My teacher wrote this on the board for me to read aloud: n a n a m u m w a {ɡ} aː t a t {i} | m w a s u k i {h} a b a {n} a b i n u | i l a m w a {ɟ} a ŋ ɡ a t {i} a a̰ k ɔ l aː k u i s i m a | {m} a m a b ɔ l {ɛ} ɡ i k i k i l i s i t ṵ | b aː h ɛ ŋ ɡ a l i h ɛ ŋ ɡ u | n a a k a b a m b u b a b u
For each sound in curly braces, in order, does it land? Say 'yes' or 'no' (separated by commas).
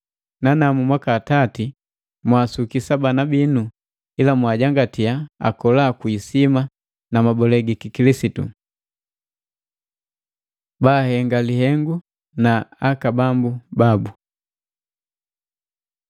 no, yes, no, yes, yes, yes, no, yes